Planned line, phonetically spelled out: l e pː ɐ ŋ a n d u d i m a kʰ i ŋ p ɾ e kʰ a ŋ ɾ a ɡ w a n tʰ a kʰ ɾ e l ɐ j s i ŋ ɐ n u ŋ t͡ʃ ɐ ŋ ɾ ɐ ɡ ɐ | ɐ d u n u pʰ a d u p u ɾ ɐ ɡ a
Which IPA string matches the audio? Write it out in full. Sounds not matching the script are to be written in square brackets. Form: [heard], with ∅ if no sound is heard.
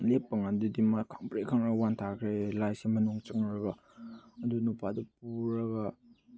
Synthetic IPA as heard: l e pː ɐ ŋ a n d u d i m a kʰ [a] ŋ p ɾ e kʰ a ŋ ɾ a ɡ w a n tʰ a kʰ ɾ e l [a] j s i [m] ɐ n u ŋ t͡ʃ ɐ ŋ ɾ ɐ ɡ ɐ | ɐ d u n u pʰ a d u p u ɾ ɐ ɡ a